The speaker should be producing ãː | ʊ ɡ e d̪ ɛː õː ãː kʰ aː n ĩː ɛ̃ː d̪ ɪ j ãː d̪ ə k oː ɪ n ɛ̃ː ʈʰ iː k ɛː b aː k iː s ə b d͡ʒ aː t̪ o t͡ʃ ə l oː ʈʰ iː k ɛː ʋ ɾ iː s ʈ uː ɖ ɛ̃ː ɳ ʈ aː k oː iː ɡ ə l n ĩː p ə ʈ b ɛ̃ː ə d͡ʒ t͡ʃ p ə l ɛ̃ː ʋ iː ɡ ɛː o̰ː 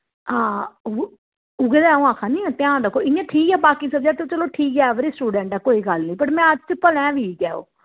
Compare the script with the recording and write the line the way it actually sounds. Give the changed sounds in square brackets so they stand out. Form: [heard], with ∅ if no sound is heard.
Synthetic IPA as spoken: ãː | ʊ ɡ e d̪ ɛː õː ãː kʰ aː n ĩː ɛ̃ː [t̪] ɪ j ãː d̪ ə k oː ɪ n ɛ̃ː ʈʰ iː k ɛː b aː k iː s ə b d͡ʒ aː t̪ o t͡ʃ ə l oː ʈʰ iː k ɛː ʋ ɾ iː s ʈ uː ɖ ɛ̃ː ɳ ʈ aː k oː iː ɡ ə l n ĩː p ə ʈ [m] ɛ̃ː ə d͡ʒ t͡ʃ p ə l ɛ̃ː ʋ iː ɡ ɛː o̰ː